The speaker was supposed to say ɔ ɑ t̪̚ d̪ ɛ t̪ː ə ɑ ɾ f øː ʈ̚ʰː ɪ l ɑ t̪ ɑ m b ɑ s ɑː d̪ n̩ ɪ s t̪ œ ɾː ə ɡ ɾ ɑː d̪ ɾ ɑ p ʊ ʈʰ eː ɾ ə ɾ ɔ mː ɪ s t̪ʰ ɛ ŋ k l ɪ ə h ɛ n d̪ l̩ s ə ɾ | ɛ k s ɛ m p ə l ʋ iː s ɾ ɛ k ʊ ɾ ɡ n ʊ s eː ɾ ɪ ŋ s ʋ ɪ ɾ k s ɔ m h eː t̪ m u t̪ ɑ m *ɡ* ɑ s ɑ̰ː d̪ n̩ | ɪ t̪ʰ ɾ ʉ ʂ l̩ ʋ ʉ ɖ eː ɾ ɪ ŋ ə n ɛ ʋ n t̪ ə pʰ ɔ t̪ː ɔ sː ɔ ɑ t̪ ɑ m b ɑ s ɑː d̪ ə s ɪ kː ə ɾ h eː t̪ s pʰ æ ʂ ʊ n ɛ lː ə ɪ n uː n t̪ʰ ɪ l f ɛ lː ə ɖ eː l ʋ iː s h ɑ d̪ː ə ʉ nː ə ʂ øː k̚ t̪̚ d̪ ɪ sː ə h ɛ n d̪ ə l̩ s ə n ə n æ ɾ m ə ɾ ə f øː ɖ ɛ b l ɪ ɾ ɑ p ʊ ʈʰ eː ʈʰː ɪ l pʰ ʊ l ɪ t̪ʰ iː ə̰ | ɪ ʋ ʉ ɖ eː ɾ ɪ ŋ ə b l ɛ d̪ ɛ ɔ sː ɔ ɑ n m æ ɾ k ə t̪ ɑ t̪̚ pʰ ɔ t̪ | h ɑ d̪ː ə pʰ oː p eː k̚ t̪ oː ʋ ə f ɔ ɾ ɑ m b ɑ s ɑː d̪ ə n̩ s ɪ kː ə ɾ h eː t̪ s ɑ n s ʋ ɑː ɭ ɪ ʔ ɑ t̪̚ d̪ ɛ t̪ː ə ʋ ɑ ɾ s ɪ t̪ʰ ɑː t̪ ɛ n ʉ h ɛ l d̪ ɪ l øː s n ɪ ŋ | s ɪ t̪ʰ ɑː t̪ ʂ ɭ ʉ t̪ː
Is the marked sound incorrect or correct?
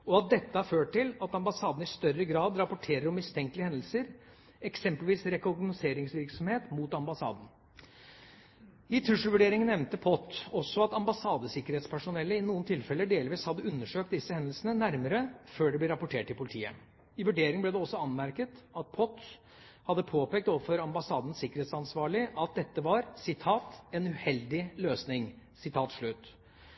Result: incorrect: b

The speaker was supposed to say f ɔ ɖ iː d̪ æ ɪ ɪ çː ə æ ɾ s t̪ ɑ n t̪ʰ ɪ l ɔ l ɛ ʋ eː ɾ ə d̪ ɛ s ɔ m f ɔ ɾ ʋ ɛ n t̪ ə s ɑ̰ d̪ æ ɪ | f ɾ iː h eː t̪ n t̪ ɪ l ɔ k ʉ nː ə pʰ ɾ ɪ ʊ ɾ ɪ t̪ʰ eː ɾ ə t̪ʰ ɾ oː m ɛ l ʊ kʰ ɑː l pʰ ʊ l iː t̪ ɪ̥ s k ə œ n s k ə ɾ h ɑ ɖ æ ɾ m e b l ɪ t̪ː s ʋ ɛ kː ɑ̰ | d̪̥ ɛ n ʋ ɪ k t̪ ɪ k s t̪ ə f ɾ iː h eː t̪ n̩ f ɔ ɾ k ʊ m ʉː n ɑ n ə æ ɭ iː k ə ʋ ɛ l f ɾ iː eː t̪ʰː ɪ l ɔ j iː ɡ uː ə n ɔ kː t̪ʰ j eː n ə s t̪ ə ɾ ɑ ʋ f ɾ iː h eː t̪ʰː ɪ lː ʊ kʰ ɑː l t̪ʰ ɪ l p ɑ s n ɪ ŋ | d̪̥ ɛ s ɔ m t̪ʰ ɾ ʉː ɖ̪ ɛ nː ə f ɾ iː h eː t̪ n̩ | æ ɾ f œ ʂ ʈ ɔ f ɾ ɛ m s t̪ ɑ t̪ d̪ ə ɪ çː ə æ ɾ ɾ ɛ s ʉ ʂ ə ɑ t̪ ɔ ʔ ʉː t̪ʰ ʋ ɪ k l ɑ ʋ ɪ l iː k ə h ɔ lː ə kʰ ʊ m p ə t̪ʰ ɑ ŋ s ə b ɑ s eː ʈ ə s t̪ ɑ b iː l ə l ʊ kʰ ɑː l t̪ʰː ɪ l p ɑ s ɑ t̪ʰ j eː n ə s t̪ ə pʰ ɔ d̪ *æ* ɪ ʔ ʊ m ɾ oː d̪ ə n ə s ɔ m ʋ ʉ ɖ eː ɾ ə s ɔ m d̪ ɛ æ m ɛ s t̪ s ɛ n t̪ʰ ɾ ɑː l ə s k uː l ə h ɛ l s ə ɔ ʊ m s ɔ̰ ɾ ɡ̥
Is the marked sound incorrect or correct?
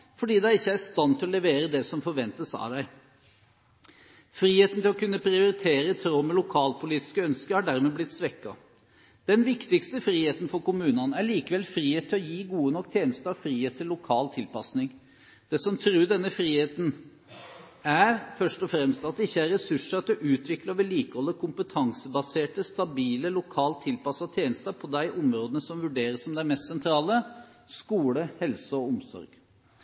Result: correct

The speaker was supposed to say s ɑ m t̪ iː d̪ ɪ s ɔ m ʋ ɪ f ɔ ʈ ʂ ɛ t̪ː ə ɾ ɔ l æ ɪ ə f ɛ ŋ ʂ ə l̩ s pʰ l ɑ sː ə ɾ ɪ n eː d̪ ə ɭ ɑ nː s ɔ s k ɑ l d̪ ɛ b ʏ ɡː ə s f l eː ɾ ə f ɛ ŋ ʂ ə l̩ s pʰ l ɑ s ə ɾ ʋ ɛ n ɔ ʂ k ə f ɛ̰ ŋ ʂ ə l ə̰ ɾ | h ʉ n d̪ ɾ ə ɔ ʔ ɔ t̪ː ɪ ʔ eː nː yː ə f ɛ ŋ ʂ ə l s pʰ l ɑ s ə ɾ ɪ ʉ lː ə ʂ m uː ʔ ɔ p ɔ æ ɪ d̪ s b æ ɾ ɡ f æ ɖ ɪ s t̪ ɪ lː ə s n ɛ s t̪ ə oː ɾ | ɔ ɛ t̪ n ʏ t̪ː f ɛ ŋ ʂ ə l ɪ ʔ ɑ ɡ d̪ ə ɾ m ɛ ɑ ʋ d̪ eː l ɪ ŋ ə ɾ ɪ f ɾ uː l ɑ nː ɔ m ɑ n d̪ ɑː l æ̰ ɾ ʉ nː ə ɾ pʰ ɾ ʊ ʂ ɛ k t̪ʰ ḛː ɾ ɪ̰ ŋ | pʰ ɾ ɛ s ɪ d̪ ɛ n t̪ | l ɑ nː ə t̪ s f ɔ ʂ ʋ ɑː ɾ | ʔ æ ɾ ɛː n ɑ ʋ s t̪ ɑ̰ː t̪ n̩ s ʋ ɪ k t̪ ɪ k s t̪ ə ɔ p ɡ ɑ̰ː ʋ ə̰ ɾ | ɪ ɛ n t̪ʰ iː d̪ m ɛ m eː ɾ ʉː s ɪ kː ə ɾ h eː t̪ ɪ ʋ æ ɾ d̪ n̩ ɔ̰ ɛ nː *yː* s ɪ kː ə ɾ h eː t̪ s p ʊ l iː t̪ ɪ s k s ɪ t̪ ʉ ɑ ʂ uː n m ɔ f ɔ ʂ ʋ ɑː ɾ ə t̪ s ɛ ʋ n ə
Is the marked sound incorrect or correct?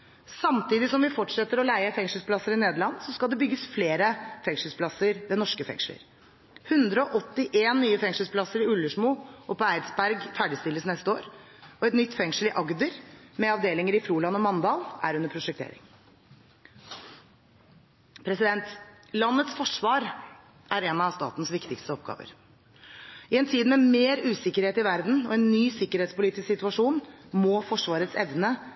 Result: correct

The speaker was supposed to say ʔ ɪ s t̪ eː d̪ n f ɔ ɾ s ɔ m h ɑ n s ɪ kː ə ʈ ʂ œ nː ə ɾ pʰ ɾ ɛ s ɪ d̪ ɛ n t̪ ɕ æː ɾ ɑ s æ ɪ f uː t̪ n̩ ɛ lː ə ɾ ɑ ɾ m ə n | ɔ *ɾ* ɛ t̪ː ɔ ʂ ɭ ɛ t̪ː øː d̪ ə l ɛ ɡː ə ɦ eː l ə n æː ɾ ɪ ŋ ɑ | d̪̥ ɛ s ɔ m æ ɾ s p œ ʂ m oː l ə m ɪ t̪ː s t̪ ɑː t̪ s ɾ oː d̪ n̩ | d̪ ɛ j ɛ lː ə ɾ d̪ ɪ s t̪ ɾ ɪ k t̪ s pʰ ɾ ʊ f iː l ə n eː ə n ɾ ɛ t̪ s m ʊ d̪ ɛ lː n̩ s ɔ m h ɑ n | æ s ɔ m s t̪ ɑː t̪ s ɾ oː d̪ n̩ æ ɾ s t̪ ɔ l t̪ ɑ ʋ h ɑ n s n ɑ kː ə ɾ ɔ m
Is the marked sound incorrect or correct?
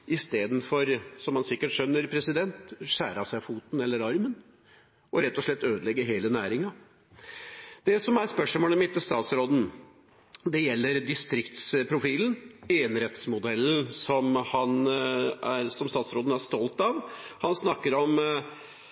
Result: correct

